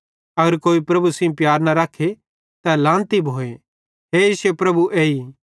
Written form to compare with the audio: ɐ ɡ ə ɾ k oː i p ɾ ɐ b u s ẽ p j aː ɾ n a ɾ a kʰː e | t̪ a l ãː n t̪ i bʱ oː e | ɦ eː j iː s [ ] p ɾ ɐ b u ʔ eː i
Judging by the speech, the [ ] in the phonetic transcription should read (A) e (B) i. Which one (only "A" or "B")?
A